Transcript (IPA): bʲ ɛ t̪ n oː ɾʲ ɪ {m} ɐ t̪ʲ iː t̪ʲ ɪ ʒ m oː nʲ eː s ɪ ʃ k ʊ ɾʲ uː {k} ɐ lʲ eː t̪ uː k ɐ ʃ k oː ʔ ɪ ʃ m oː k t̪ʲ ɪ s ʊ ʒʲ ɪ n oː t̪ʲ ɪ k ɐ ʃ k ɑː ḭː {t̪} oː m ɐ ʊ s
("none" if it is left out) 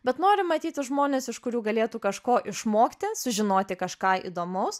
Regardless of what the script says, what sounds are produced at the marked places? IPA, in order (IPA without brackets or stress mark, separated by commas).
m, ɡ, d̪